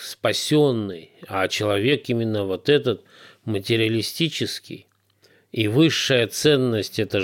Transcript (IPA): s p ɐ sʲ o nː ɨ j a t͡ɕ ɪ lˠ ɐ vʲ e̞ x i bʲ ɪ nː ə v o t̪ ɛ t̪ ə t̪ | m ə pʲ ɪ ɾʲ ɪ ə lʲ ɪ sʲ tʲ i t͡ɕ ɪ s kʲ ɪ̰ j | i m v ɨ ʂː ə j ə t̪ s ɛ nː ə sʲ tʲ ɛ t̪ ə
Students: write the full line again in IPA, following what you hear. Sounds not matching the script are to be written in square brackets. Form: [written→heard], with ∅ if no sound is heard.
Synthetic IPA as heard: s p ɐ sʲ o nː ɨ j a t͡ɕ ɪ lˠ ɐ vʲ e̞ [x→k] i [bʲ→mʲ] ɪ nː ə v o t̪ ɛ t̪ ə t̪ | m ə [pʲ→tʲ] ɪ ɾʲ ɪ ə lʲ ɪ sʲ tʲ i t͡ɕ ɪ s kʲ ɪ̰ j | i [m→∅] v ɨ ʂː ə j ə t̪ s ɛ nː ə sʲ tʲ ɛ t̪ ə